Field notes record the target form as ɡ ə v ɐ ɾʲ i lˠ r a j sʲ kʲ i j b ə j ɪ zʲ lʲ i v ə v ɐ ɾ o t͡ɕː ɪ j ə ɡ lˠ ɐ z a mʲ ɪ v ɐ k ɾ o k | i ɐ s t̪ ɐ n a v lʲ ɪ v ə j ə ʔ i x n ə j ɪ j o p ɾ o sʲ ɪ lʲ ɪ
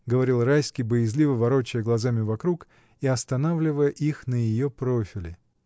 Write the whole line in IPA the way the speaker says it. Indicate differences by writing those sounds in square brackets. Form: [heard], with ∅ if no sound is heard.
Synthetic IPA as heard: ɡ ə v ɐ ɾʲ i lˠ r a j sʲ kʲ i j b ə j ɪ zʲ lʲ i v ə v ɐ ɾ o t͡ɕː ɪ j ə ɡ lˠ ɐ z a mʲ ɪ v ɐ k ɾ [u] k | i ɐ s t̪ ɐ n a v lʲ ɪ v ə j ə ʔ i x n ə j ɪ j o p ɾ o [fʲ] ɪ lʲ ɪ